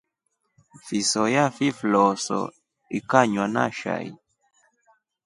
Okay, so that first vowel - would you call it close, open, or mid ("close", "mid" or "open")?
close